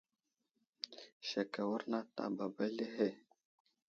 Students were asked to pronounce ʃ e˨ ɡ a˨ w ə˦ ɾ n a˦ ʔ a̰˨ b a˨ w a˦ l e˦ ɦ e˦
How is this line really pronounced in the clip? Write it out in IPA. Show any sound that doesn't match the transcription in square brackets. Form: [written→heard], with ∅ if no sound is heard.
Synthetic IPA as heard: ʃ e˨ [ɡ→k] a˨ w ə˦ ɾ n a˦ [ʔ→t] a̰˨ b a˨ [w→b] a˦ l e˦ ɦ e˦

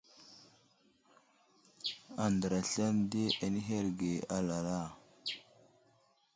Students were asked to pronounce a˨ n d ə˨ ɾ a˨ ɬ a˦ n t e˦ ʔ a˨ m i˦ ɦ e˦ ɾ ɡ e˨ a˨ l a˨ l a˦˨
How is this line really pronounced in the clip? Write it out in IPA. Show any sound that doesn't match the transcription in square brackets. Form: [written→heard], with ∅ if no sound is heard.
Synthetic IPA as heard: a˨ n d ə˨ ɾ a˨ ɬ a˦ n [t→d] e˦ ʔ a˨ [m→n] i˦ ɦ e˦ ɾ ɡ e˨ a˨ l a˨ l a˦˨

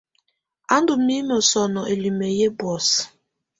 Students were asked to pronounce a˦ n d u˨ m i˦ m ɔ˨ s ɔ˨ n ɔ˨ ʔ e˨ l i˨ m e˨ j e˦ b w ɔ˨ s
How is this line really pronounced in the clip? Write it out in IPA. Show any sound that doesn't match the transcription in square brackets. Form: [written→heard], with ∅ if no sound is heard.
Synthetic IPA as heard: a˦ n d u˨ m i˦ m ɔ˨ s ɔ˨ n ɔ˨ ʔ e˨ l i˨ m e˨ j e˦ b w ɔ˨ s

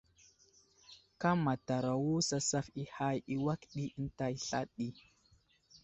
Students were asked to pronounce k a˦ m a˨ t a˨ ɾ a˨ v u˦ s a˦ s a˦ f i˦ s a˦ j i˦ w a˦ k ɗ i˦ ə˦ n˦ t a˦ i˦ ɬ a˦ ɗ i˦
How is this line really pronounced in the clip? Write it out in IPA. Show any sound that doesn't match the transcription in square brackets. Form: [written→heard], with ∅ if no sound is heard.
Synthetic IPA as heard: k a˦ m a˨ t a˨ ɾ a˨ [v→w] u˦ s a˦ s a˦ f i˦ [s→h] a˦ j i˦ w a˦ k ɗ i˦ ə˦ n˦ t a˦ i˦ ɬ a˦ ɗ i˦

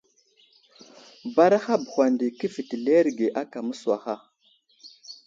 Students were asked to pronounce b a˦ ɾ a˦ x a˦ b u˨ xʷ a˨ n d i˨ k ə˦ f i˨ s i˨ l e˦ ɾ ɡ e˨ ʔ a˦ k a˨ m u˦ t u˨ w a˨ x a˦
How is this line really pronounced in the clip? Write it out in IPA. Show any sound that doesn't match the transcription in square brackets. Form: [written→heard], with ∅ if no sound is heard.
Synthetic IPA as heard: b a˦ ɾ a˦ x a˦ b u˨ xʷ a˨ n d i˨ k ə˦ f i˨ [s→t] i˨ l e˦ ɾ ɡ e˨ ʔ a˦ k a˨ m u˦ [t→s] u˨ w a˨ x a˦

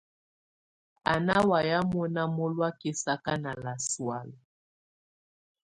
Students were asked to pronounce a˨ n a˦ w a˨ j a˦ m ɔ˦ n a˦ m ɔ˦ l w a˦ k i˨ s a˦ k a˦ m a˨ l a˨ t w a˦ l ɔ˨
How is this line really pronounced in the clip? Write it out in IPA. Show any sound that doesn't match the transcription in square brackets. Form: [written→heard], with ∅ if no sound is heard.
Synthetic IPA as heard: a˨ n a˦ w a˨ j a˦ m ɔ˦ n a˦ m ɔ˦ l w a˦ k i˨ s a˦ k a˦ [m→n] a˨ l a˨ [t→s] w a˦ l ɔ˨

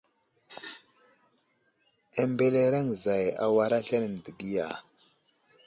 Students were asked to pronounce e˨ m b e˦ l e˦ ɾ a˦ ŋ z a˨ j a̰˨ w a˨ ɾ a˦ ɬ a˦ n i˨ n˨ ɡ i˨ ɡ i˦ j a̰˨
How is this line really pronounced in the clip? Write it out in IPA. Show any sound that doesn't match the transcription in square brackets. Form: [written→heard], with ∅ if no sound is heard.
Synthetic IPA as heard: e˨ m b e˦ l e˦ ɾ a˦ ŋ z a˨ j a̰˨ w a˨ ɾ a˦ ɬ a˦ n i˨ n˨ [ɡ→d] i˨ ɡ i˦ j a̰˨

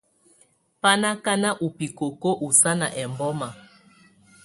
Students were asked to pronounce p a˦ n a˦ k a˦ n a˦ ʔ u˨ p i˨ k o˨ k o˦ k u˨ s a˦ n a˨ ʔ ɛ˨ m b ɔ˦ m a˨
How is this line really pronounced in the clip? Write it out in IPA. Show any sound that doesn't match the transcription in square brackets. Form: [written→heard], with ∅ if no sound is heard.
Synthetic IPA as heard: p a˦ n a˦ k a˦ n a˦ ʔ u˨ p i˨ k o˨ k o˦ [k→ʔ] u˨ s a˦ n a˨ ʔ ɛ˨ m b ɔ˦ m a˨

